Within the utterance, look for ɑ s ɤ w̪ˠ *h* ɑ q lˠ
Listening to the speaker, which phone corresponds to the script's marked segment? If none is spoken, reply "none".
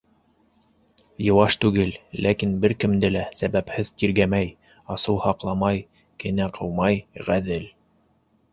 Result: h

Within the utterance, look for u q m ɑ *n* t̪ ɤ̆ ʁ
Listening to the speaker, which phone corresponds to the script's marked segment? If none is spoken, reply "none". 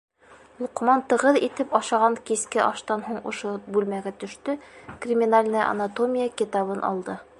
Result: n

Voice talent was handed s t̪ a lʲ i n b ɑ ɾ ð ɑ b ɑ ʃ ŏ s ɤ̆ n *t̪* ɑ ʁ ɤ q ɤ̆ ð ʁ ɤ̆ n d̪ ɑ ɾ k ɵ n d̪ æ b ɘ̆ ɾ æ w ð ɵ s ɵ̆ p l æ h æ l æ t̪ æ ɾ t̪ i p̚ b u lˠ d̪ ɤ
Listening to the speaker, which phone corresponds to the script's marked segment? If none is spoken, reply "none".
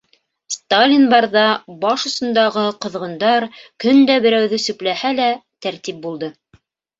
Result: d̪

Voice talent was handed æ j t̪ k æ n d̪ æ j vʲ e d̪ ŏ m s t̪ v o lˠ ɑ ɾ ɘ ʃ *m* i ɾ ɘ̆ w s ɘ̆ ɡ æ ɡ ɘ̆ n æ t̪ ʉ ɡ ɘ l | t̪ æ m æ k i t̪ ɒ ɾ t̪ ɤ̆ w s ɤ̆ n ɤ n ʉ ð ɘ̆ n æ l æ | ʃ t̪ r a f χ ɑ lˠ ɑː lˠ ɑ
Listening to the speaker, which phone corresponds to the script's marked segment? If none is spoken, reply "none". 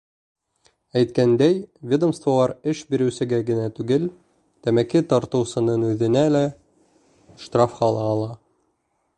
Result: b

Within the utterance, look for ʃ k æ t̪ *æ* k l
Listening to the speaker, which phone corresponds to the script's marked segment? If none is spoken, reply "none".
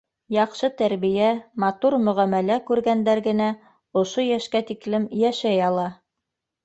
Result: i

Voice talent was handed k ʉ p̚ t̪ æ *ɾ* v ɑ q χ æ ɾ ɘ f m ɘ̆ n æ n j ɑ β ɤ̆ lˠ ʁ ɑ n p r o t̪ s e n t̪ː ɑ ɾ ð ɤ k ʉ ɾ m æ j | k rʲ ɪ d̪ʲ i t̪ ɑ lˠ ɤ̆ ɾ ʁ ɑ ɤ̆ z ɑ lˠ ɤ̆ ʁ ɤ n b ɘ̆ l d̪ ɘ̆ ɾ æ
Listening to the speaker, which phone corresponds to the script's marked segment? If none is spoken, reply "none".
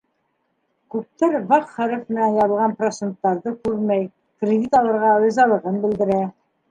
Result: ɾ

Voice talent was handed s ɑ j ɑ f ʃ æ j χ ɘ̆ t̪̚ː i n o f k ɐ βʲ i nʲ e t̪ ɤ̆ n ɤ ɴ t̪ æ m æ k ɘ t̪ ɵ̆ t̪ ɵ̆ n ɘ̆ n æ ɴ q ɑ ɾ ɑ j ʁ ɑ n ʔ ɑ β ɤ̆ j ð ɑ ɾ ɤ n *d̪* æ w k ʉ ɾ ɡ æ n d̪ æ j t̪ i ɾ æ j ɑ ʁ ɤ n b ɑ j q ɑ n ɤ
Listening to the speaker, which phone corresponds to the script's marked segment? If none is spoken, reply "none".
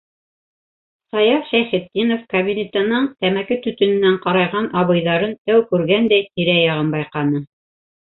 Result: t̪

